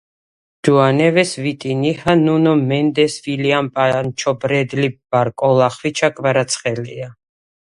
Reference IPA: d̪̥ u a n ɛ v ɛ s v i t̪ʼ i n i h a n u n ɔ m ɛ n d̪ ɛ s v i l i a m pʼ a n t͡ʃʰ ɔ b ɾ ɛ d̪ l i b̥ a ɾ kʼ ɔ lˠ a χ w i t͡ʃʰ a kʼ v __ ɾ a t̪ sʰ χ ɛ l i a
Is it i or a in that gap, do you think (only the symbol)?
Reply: a